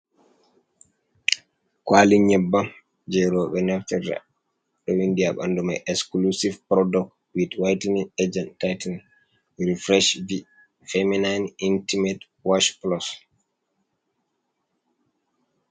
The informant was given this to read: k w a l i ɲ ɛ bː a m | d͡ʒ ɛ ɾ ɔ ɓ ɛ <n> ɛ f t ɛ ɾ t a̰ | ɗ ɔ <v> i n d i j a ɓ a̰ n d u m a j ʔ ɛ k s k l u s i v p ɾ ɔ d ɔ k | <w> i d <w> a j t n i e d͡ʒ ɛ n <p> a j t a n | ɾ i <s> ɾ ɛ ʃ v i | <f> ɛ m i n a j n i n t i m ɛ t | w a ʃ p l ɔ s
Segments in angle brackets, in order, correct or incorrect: correct, incorrect: w, correct, correct, incorrect: t, incorrect: f, correct

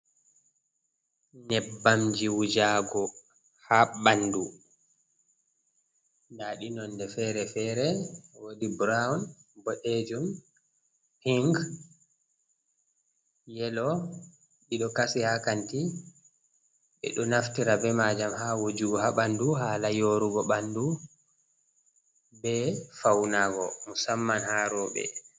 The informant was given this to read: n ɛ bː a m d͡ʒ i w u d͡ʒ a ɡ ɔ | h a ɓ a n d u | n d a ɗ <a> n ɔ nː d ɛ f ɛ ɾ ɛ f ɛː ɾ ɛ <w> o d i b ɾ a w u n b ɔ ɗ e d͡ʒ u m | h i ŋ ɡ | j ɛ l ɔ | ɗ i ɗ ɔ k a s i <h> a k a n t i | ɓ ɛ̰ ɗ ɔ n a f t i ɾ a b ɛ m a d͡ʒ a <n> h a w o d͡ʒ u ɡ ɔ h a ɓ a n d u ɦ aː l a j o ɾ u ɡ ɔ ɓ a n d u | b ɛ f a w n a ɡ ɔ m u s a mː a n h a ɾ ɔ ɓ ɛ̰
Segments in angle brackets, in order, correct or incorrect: incorrect: i, correct, correct, incorrect: m

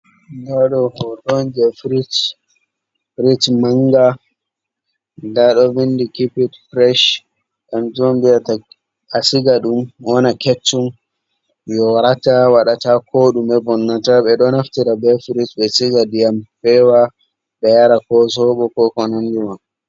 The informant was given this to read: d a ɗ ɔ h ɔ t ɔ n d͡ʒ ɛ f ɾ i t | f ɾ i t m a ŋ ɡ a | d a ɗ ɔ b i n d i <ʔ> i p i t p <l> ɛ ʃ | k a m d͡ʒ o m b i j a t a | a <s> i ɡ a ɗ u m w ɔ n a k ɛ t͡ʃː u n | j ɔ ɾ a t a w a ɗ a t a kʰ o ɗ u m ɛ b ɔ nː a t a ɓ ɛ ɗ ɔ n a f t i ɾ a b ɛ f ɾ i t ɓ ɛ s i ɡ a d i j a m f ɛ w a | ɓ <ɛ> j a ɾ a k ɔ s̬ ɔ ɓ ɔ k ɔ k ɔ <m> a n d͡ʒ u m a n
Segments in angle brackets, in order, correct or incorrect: incorrect: k, incorrect: ɾ, correct, correct, incorrect: n

